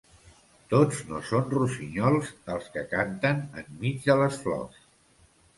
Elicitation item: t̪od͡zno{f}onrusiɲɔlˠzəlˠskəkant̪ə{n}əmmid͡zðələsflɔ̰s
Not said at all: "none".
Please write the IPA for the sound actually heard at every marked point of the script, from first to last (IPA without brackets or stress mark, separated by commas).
s, n